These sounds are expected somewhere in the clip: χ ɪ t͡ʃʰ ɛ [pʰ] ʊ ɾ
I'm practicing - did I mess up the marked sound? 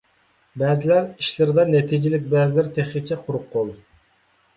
yes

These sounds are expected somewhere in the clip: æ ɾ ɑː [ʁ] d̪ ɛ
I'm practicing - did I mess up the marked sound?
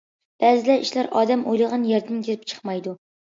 yes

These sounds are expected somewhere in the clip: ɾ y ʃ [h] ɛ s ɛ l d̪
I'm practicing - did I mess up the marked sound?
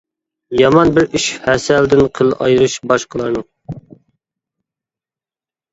no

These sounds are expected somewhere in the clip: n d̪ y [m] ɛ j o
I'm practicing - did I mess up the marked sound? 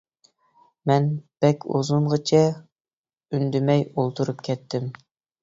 no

